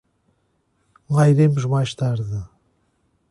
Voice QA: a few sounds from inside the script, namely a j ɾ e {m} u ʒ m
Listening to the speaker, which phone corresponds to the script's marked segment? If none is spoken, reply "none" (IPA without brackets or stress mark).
m